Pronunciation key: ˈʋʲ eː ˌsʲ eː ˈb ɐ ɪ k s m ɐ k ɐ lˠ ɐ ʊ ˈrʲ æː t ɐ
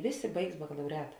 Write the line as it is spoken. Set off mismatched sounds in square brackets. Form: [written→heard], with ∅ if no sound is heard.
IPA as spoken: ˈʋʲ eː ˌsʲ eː ˈb ɐ ɪ k s [m→b] ɐ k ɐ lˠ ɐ ʊ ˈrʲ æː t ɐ

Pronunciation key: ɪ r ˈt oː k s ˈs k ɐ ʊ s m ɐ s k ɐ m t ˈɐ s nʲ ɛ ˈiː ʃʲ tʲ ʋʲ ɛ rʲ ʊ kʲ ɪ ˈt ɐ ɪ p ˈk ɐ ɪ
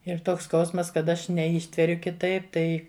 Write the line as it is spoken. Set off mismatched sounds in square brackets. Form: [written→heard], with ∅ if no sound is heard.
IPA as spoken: ɪ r ˈt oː k s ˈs k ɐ ʊ s m ɐ s k ɐ [m→∅] t ˈɐ [s→ʃ] nʲ ɛ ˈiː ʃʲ tʲ ʋʲ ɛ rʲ ʊ kʲ ɪ ˈt ɐ ɪ p [ˈk→ˈt] ɐ ɪ

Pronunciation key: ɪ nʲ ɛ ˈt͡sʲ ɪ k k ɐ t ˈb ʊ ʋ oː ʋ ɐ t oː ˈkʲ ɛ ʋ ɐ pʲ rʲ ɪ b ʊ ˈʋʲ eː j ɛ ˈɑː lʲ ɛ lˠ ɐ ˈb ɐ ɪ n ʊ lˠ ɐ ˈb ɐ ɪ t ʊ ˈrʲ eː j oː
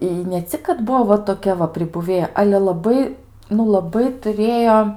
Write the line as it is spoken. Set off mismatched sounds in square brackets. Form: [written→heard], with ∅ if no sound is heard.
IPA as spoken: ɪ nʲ ɛ ˈt͡sʲ ɪ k k ɐ t ˈb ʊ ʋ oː ʋ ɐ t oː ˈkʲ ɛ ʋ ɐ pʲ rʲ ɪ b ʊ ˈʋʲ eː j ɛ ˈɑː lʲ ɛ lˠ ɐ ˈb ɐ ɪ n ʊ lˠ ɐ ˈb ɐ ɪ t ʊ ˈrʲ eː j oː

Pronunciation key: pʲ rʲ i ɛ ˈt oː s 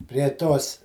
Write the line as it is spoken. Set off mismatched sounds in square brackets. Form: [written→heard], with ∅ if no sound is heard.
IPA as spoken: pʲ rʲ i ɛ ˈt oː s

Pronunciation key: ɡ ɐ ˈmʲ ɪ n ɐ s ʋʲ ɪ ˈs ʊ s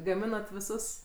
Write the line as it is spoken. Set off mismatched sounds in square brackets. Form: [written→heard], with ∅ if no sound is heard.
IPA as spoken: ɡ ɐ ˈmʲ ɪ n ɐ [s→t] ʋʲ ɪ ˈs ʊ s

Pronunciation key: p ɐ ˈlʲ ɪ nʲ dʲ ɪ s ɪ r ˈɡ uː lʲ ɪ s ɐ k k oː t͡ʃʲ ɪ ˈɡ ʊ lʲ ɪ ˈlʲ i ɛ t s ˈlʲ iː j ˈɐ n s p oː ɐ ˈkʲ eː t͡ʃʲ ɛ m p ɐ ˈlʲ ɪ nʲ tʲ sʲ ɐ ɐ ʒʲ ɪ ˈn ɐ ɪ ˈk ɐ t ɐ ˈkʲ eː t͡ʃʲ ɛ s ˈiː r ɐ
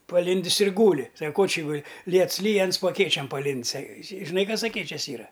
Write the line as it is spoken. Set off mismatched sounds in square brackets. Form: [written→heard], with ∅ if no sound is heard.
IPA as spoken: p ɐ ˈlʲ ɪ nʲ dʲ ɪ s ɪ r ˈɡ uː lʲ ɪ s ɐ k k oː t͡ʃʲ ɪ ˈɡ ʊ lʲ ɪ ˈlʲ i ɛ t s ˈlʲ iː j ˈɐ n s p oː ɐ ˈkʲ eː t͡ʃʲ ɛ m p ɐ ˈlʲ ɪ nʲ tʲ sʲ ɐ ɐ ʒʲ ɪ ˈn ɐ ɪ ˈk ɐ [t→s] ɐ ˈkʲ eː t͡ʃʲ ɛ s ˈiː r ɐ

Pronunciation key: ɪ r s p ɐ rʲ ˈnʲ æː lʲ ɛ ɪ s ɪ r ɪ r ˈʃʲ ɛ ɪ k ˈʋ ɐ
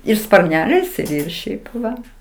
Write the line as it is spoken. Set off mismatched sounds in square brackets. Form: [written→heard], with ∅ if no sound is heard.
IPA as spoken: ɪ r s p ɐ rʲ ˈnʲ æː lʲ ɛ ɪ s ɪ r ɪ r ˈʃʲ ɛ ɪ [k→p] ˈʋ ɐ

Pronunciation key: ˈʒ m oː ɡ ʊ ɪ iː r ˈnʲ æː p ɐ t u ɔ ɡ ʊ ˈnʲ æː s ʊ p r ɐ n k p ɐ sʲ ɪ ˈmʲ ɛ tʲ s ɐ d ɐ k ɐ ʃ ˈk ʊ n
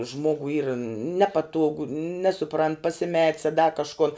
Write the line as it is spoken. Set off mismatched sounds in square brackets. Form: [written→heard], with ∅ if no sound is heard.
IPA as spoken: ˈʒ m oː ɡ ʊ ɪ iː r ˈnʲ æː p ɐ t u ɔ ɡ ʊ ˈnʲ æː s ʊ p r ɐ n [k→t] p ɐ sʲ ɪ ˈmʲ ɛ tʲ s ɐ d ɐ k ɐ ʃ ˈk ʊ n

